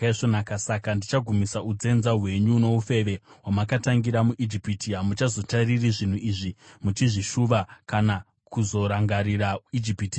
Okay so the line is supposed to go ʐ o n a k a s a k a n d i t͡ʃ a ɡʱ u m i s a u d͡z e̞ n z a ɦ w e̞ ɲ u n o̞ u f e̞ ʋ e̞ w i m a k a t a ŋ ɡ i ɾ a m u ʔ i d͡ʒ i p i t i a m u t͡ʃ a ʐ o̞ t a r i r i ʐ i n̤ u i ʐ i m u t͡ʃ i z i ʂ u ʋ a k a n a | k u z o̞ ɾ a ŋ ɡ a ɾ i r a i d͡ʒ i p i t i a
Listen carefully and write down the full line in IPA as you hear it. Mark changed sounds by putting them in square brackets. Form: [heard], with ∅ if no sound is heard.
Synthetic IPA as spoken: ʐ o n a k a s a k a n d i t͡ʃ a ɡʱ u m i s a u d͡z e̞ n z a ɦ w e̞ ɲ u n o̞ u f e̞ ʋ e̞ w [a] m a k a t a ŋ ɡ i ɾ a m u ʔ i d͡ʒ i p i t i a m u t͡ʃ a [z] o̞ t a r i r i ʐ i n̤ u i ʐ i m u t͡ʃ i [ʐ] i [ʃ] u ʋ a k a n a | k u z o̞ ɾ a ŋ ɡ a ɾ i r a i d͡ʒ i p i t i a